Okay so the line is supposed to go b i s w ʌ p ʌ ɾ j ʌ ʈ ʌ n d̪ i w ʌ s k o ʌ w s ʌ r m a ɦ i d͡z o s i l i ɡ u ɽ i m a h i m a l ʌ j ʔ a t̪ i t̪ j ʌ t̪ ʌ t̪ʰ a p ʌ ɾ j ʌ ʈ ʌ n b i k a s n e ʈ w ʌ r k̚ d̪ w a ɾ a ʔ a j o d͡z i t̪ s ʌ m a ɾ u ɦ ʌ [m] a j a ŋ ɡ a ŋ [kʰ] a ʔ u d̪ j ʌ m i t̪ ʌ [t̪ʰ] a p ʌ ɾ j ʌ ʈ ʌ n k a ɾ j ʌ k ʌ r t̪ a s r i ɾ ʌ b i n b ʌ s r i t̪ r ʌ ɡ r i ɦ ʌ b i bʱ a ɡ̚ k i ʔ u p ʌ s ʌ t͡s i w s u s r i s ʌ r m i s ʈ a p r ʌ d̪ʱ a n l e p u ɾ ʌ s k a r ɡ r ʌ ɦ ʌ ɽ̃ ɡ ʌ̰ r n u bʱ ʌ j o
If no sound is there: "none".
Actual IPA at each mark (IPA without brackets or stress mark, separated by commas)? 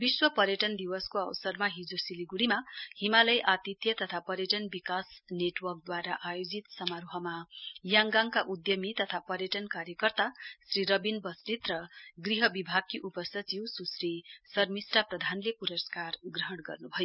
m, k, t̪ʰ